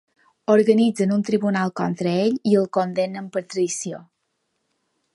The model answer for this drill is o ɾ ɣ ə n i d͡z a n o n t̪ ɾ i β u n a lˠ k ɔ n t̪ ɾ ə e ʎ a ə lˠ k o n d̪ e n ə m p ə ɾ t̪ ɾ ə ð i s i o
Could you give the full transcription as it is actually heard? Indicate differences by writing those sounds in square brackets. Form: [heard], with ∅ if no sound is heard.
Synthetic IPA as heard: o ɾ ɣ ə n i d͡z [ə] n [u] n t̪ ɾ i β u n a lˠ k ɔ n t̪ ɾ ə e ʎ [i] ə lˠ k o n d̪ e n ə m p ə ɾ t̪ ɾ ə ð i s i o

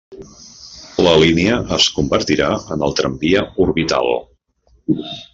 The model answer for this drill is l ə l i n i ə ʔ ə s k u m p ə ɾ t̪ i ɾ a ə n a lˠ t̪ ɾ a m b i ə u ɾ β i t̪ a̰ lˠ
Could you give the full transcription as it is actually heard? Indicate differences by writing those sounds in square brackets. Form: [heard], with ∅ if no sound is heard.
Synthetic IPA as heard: l ə l i n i ə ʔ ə s k u m [b] ə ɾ t̪ i ɾ a ə n [ə] lˠ t̪ ɾ [ə] m b i ə u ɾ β i t̪ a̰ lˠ

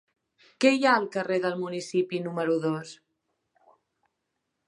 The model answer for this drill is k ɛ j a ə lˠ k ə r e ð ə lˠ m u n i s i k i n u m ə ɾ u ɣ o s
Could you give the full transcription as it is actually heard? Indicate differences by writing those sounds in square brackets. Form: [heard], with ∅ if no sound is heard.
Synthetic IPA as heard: k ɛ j a ə lˠ k ə r e ð ə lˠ m u n i s i [p] i n u m ə ɾ u [ð] o s

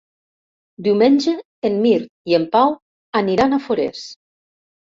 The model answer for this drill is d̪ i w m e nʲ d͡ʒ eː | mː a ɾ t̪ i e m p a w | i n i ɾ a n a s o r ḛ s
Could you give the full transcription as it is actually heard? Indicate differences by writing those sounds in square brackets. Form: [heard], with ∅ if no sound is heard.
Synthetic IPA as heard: d̪ i w m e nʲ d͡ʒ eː | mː [i] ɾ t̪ i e m p a w | [a] n i ɾ a n a [f] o [ɾ] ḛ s

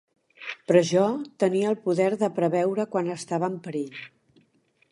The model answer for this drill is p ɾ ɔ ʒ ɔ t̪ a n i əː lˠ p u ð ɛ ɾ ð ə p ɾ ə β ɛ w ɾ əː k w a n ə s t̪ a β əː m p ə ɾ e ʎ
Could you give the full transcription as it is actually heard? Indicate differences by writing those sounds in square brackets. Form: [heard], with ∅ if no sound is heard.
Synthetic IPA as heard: p ɾ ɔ ʒ ɔ t̪ [ə] n i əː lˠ p u ð ɛ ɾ ð ə p ɾ ə β ɛ w ɾ [ə] k w a n ə s t̪ a β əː m p ə ɾ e ʎ

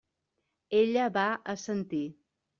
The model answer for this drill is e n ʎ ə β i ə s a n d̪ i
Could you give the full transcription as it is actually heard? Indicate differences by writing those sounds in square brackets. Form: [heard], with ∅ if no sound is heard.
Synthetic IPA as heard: e [∅] ʎ ə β [a] ə s [ə] n [t̪] i

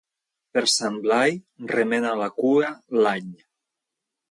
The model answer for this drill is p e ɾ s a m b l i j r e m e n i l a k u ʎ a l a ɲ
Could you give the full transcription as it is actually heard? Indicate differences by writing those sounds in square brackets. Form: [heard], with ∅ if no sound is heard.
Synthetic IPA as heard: p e ɾ s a m b l [a] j r e m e n [a] l a k u [ɾ] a l a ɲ

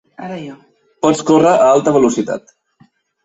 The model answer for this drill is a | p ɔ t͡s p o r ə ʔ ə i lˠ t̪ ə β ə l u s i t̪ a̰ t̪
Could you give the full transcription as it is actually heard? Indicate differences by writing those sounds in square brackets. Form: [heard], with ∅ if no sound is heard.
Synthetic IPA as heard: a | p ɔ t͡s [k] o r ə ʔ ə [a] lˠ t̪ ə β ə l u s i t̪ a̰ t̪

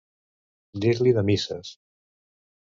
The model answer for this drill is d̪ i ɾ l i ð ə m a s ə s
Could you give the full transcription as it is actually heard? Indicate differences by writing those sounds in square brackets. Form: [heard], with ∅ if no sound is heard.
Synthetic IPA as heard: d̪ i ɾ l i ð ə m [i] s ə s

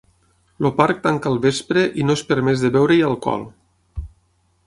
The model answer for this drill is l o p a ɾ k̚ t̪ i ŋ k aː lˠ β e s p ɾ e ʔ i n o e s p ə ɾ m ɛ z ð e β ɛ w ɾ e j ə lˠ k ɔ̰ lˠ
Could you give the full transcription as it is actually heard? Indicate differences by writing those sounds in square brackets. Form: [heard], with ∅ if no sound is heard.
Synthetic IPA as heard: l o p a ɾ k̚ t̪ [a] ŋ k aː lˠ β e s p ɾ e ʔ i n o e s p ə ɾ m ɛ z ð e β ɛ w ɾ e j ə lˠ k ɔ̰ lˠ

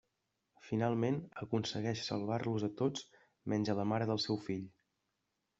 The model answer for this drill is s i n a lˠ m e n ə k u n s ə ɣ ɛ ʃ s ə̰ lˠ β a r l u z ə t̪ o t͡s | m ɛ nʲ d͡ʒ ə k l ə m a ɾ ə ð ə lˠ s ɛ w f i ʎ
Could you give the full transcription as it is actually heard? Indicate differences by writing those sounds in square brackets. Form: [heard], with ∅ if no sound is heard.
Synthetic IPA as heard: [f] i n a lˠ m e n ə k u n s ə ɣ ɛ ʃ s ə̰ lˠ β a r l u z ə t̪ o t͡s | m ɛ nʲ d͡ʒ ə [∅] l ə m a ɾ ə ð ə lˠ s ɛ w f i ʎ

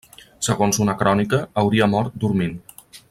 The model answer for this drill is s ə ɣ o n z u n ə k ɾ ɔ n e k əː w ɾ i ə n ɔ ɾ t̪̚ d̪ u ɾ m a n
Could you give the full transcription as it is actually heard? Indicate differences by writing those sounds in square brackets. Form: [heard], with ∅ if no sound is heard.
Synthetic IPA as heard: s ə ɣ o n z u n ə k ɾ ɔ n [i] k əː w ɾ i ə [m] ɔ ɾ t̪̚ d̪ u ɾ m [i] n

